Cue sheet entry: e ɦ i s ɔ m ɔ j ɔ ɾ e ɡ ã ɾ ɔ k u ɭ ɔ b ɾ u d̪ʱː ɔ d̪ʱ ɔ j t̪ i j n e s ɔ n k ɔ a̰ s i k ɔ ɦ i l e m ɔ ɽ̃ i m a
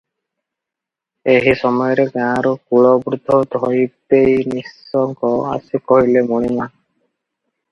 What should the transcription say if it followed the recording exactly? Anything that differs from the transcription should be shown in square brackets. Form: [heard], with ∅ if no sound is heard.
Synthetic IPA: e ɦ i s ɔ m ɔ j ɔ ɾ e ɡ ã ɾ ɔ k u ɭ ɔ b ɾ u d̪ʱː ɔ d̪ʱ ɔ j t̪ [e] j n [i] s ɔ [ŋ] k ɔ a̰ s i k ɔ ɦ i l e m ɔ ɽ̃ i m a

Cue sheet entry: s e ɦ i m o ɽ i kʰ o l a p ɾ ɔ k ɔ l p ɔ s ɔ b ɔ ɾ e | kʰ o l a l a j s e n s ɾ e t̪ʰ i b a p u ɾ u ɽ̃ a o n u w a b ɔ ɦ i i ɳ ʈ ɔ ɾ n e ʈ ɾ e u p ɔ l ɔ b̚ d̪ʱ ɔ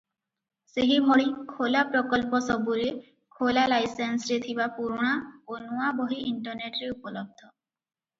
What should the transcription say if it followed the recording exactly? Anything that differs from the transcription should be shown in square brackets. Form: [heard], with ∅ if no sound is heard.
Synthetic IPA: s e ɦ i m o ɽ i kʰ o l a p ɾ ɔ k ɔ l p ɔ s ɔ b [u] ɾ e | kʰ o l a l a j s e n s ɾ e t̪ʰ i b a p u ɾ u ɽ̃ a o n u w a b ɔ ɦ i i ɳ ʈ ɔ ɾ n e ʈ ɾ e u p ɔ l ɔ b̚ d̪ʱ ɔ

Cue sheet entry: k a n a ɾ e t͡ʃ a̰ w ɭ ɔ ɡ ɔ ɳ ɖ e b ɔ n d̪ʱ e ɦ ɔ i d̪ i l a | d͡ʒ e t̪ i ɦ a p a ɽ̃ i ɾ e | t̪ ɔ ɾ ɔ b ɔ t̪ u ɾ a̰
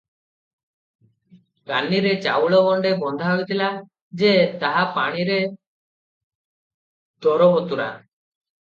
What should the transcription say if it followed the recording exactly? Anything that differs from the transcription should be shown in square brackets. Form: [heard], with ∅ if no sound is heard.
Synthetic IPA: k a n [i] ɾ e t͡ʃ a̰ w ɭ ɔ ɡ ɔ ɳ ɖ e b ɔ n d̪ʱ [a] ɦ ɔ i [t̪] i l a | d͡ʒ e t̪ [a] ɦ a p a ɽ̃ i ɾ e | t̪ ɔ ɾ ɔ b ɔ t̪ u ɾ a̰

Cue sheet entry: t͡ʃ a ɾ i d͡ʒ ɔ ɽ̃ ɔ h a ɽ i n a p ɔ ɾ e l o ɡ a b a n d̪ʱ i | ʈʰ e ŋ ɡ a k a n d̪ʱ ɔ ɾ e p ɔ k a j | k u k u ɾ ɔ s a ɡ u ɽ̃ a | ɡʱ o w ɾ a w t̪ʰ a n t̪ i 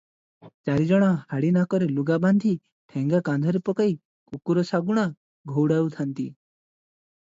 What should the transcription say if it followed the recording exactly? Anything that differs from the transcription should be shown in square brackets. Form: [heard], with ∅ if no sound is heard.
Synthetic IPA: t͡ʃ a ɾ i d͡ʒ ɔ ɽ̃ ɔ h a ɽ i n a [k] ɔ ɾ e l [u] ɡ a b a n d̪ʱ i | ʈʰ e ŋ ɡ a k a n d̪ʱ ɔ ɾ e p ɔ k a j | k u k u ɾ ɔ s a ɡ u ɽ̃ a | ɡʱ o w [ɽ] a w t̪ʰ a n t̪ i

